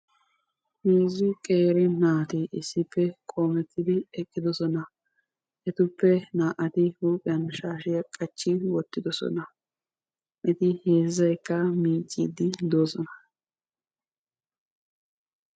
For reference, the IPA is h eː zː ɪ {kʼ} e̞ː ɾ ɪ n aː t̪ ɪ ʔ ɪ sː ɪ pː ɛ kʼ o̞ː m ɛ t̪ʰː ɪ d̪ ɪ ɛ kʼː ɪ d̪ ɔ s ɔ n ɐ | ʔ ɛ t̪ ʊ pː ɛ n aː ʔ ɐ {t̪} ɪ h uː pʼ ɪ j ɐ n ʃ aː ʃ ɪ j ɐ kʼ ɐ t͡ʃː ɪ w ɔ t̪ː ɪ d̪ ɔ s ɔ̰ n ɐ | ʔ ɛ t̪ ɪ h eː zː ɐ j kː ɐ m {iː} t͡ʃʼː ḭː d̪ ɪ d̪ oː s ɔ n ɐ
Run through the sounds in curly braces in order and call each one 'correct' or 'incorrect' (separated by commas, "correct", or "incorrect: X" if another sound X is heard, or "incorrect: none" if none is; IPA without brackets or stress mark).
correct, correct, correct